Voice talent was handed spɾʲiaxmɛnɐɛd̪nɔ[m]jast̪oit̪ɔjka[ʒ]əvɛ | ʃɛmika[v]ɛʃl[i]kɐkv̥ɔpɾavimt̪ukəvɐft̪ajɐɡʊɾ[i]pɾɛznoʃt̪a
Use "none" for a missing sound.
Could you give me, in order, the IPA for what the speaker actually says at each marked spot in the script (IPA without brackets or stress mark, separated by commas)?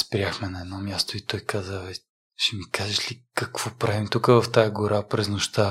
m, z, ʒ, i, a